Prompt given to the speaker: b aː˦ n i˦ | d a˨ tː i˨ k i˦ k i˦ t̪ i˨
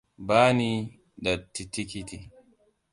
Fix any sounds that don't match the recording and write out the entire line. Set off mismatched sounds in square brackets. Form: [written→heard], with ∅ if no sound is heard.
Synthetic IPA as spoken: b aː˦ n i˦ | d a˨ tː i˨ [k→t] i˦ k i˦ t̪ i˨

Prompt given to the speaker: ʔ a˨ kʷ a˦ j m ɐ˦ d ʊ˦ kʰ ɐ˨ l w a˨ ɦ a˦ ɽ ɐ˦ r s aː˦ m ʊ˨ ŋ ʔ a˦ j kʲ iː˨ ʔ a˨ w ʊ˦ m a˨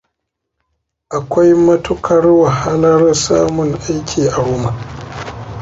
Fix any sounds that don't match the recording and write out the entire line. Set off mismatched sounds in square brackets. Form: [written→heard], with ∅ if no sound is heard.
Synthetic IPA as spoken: ʔ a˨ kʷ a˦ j m ɐ˦ [d→t] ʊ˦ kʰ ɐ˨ [l→r] w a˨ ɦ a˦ [ɽ→l] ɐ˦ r s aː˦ m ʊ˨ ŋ ʔ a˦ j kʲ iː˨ ʔ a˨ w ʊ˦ m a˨

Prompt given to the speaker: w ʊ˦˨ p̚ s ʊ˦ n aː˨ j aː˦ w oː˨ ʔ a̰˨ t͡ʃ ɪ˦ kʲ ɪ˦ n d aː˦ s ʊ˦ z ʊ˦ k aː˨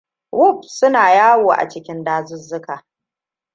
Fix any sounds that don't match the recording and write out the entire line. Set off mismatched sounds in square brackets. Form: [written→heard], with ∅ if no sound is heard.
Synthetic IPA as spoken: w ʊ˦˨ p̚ s ʊ˦ n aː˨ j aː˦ w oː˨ ʔ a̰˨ t͡ʃ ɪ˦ kʲ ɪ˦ n d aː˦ [s→z] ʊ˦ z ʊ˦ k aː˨

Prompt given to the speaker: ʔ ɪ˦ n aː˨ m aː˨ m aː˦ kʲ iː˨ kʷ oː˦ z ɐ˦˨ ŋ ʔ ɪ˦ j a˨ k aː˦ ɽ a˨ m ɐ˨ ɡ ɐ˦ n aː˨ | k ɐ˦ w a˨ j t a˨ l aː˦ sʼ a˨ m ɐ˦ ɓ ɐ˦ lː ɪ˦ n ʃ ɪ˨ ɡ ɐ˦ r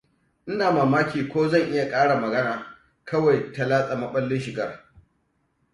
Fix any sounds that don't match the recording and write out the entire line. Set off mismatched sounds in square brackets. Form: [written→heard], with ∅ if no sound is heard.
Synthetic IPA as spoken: ʔ ɪ˦ n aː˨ m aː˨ m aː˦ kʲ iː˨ kʷ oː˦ z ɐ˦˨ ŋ ʔ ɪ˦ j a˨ [k→kʼ] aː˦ ɽ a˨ m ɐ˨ ɡ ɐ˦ n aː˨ | k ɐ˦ w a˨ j t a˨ l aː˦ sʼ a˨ m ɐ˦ ɓ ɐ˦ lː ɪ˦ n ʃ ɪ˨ ɡ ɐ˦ r

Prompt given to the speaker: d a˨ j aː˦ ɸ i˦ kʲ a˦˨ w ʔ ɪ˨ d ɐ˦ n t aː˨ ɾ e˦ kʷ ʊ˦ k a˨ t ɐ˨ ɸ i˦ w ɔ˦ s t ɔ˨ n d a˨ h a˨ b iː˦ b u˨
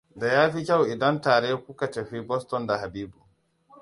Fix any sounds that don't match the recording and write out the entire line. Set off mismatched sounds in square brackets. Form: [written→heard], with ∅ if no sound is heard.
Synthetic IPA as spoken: d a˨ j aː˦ ɸ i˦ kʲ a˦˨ w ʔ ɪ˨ d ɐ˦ n t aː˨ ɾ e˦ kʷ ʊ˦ k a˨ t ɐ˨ ɸ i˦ [w→b] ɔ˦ s t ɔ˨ n d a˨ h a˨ b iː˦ b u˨

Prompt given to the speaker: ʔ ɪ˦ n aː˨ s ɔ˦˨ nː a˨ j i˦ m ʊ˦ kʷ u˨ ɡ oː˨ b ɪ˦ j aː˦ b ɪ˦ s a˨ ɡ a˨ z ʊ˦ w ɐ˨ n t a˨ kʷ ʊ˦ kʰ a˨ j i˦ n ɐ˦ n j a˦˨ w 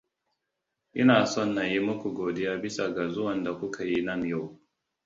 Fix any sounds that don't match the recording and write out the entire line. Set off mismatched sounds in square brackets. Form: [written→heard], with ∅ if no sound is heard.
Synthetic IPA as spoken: ʔ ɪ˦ n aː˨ s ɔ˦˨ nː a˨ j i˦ m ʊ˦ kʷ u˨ ɡ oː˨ [b→d] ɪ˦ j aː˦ b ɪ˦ s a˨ ɡ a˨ z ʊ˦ w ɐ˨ n [t→d] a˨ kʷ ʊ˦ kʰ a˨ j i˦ n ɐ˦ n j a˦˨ w

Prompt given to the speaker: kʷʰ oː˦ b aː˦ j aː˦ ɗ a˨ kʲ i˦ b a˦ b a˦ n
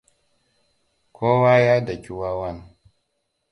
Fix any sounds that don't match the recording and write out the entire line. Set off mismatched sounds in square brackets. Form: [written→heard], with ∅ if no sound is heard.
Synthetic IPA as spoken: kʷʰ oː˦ [b→w] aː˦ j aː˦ [ɗ→d] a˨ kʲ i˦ [b→w] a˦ [b→w] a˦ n

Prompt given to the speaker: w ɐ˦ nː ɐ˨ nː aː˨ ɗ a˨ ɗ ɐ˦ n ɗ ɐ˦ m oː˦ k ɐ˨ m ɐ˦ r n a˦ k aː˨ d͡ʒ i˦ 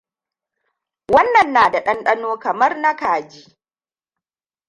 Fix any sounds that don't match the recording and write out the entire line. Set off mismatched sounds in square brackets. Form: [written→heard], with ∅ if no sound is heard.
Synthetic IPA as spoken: w ɐ˦ nː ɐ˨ nː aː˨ [ɗ→d] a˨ ɗ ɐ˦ n ɗ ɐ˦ [m→n] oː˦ k ɐ˨ m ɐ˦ r n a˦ k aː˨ d͡ʒ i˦

